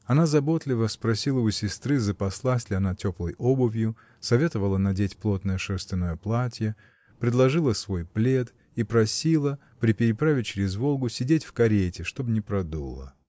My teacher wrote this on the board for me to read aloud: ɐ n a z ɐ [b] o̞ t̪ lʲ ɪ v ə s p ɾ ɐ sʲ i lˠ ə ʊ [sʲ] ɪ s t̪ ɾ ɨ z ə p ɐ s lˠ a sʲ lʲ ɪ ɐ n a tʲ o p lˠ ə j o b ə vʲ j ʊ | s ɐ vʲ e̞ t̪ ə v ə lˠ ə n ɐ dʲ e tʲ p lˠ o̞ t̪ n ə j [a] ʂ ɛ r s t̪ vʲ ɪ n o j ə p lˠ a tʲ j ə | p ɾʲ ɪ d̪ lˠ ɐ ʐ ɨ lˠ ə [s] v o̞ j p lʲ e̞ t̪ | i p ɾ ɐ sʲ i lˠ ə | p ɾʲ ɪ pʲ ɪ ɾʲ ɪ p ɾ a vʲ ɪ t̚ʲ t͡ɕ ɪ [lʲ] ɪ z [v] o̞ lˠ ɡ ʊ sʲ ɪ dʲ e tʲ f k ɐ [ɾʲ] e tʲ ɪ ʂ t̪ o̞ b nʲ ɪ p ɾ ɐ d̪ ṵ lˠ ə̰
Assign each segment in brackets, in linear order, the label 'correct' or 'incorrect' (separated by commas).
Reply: correct, correct, incorrect, correct, incorrect, correct, correct